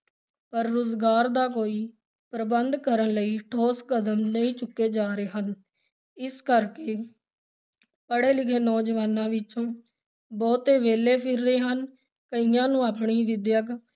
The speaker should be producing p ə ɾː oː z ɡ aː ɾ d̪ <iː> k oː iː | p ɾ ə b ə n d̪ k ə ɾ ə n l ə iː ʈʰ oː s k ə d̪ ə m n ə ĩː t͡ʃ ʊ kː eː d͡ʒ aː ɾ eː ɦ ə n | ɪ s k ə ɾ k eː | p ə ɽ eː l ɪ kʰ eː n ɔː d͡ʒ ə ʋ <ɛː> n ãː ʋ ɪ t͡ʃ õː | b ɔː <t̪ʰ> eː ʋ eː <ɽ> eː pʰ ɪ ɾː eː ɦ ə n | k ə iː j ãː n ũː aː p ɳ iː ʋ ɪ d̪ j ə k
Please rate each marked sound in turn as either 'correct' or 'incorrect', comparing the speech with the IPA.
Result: incorrect, incorrect, incorrect, incorrect

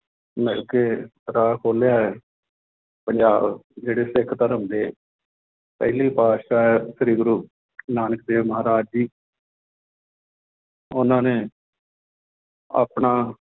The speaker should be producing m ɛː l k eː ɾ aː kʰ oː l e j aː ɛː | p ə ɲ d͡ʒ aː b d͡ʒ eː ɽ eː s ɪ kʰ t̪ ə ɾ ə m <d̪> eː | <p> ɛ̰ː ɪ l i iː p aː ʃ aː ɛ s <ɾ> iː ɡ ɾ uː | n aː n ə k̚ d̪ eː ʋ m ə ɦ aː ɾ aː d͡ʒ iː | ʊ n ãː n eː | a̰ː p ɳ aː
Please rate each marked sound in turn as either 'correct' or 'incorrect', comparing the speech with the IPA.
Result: correct, correct, correct

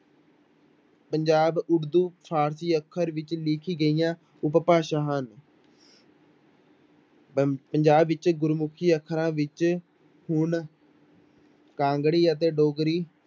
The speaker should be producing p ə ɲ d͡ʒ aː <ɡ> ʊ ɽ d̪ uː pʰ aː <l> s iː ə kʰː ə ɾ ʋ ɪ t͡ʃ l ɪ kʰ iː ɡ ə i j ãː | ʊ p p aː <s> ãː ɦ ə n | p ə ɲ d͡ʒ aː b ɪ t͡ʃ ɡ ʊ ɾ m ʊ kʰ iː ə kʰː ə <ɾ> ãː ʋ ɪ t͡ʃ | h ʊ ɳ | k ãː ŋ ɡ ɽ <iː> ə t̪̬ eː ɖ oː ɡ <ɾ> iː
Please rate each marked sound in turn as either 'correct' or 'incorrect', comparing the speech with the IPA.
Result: incorrect, incorrect, incorrect, correct, correct, correct

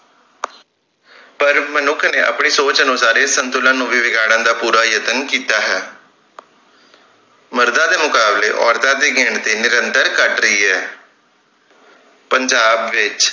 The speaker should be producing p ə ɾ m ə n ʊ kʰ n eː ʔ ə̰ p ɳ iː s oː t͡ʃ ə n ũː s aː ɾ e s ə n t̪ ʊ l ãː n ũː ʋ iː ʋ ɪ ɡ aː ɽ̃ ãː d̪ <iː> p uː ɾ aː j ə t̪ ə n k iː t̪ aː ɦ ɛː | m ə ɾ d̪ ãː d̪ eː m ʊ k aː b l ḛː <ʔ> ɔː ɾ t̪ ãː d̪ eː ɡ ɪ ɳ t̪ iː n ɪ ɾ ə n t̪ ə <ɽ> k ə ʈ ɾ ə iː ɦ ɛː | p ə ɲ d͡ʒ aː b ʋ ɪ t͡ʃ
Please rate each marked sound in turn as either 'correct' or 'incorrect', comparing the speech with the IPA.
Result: incorrect, correct, incorrect

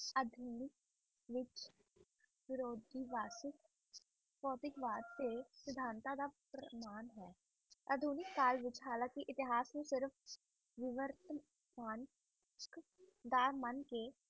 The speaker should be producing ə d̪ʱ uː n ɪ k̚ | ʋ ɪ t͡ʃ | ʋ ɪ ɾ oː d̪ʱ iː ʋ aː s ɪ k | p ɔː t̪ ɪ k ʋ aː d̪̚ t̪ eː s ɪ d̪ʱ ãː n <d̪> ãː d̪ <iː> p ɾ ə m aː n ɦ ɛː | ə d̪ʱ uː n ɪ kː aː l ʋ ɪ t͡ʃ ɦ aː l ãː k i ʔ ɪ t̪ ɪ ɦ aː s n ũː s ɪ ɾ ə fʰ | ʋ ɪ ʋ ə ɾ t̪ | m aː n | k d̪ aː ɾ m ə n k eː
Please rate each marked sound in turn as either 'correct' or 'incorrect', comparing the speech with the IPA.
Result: incorrect, incorrect

